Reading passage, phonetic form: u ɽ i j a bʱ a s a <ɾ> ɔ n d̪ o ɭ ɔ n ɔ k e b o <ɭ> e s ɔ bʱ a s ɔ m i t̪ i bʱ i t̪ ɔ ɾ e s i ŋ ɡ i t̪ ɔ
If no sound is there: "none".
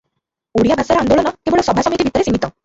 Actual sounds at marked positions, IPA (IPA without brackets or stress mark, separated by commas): ɾ, ɭ